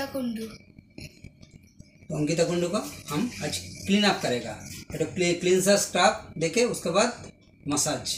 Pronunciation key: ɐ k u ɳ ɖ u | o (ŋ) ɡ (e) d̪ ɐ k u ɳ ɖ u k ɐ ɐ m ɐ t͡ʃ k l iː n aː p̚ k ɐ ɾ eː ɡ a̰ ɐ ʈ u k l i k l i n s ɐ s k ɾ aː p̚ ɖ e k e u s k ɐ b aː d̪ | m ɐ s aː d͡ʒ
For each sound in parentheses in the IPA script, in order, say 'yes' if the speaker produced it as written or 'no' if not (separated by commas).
yes, no